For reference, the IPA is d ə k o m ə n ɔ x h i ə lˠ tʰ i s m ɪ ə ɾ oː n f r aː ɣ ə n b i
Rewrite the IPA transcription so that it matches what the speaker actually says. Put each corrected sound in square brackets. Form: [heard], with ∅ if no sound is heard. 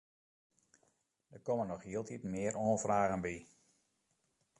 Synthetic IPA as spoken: d ə k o m ə n ɔ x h i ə lˠ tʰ i [t] m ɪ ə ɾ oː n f r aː ɣ ə n b i